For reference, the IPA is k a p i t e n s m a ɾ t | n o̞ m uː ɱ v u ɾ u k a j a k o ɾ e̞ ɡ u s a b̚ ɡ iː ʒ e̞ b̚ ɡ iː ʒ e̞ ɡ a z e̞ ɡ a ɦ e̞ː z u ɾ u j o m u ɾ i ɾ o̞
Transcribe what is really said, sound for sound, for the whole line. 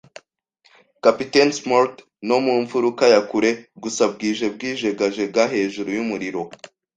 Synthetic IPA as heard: k a p i t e n s m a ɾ t | n o̞ m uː ɱ v u ɾ u k a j a k u ɾ e̞ ɡ u s a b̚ ɡ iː ʒ e̞ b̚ ɡ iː ʒ e̞ ɡ a ʒ e̞ ɡ a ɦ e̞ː ʒ u ɾ u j u m u ɾ i ɾ o̞